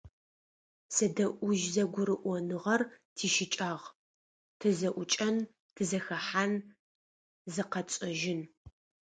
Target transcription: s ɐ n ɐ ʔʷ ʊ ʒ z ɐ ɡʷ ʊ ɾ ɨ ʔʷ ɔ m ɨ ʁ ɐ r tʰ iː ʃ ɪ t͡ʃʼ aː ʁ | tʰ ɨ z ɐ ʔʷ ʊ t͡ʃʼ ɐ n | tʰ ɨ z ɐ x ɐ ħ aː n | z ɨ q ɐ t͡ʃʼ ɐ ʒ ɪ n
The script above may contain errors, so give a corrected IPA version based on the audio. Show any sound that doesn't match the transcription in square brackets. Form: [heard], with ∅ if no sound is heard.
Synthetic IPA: s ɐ [d] ɐ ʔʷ ʊ ʒ z ɐ ɡʷ ʊ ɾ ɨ ʔʷ ɔ [n] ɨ ʁ ɐ r tʰ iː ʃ ɪ t͡ʃʼ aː ʁ | tʰ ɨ z ɐ ʔʷ ʊ t͡ʃʼ ɐ n | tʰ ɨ z ɐ x ɐ ħ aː n | z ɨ q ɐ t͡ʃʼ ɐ ʒ ɪ n

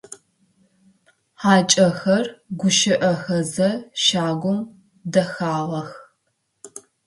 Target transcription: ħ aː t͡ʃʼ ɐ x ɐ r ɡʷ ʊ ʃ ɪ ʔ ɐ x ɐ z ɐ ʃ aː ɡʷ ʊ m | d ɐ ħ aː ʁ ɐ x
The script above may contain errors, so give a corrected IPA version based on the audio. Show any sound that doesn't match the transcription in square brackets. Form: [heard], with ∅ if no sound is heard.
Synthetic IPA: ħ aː t͡ʃʼ ɐ x ɐ r ɡʷ ʊ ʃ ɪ ʔ ɐ x ɐ z ɐ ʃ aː ɡʷ ʊ m | d ɐ [x] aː ʁ ɐ x

